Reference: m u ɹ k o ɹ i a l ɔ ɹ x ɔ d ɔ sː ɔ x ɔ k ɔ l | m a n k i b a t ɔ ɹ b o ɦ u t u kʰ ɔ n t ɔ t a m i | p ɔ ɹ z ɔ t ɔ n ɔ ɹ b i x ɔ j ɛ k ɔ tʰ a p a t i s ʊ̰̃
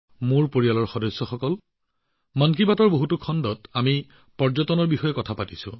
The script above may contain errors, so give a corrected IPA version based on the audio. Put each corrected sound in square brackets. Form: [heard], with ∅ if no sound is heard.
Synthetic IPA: m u ɹ [p] o ɹ i a l ɔ ɹ x ɔ d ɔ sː ɔ x ɔ k ɔ l | m a n k i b a t ɔ ɹ b o ɦ u t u kʰ ɔ n [d] ɔ t a m i | p ɔ ɹ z ɔ t ɔ n ɔ ɹ b i x ɔ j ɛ k ɔ tʰ a p a t i s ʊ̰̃